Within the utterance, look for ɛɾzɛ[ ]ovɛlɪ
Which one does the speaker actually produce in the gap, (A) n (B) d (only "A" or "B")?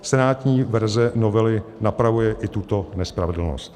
A